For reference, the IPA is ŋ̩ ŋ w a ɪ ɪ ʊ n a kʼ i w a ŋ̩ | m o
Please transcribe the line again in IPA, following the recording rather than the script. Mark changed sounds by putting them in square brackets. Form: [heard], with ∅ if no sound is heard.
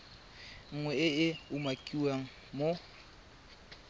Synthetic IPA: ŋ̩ ŋ w [ɛ] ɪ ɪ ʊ [m] a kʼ i w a ŋ̩ | m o